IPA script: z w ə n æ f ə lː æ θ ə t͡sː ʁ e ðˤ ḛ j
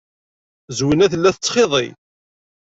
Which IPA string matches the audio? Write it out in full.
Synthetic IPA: z w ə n æ θ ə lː æ θ ə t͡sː χ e ðˤ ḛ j

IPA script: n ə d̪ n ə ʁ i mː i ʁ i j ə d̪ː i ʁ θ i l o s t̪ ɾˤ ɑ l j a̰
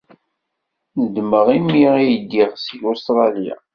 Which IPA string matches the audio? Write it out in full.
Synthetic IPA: n ə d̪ m ə ʁ i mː i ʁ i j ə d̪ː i ʁ s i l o s t̪ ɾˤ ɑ l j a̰

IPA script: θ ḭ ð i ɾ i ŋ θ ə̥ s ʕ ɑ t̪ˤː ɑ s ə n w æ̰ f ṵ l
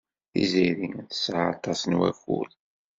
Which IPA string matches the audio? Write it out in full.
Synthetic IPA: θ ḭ z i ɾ i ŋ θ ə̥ s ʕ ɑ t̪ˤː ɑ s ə n w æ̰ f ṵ l

